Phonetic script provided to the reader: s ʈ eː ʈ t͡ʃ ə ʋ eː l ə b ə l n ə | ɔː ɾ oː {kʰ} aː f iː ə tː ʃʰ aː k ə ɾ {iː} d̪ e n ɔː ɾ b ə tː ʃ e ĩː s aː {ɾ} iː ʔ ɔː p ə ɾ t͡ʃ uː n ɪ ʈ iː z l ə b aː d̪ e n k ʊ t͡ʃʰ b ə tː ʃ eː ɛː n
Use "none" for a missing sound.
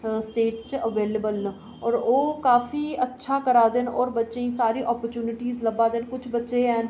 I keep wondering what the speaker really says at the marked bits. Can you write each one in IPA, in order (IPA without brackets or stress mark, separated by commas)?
k, aː, ɾ